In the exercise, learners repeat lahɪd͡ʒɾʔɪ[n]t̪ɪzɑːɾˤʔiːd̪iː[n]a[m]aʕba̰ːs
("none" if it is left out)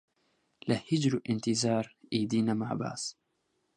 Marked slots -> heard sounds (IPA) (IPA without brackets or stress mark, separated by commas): n, n, m